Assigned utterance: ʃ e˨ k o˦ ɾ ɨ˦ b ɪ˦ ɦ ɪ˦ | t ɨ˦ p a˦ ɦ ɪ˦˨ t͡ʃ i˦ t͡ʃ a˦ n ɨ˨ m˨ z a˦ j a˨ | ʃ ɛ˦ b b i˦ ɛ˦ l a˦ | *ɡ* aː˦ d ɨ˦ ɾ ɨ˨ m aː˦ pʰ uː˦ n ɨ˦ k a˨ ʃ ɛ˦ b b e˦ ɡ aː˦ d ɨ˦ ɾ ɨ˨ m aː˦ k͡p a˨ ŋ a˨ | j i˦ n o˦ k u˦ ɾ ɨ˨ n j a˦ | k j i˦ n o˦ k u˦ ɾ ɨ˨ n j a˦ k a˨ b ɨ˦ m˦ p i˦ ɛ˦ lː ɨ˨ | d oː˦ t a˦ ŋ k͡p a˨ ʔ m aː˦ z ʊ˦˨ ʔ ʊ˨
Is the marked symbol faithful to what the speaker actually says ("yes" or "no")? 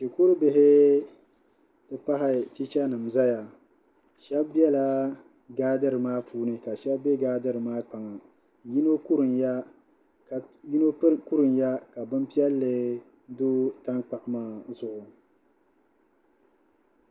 yes